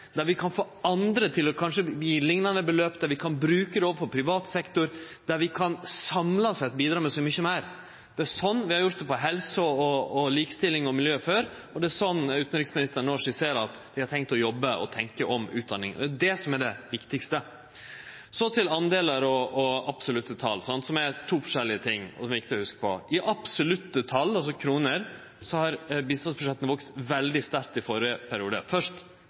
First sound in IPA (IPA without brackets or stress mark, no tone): d̪